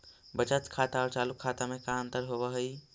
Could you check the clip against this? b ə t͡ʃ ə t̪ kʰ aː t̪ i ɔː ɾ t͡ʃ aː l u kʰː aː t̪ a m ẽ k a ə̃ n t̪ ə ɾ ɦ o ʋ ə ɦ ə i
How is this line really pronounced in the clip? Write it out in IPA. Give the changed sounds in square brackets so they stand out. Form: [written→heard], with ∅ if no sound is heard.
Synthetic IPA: b ə t͡ʃ ə t̪ kʰ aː t̪ [i→a] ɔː ɾ t͡ʃ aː l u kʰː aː t̪ a m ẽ k a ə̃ n t̪ ə ɾ ɦ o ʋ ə ɦ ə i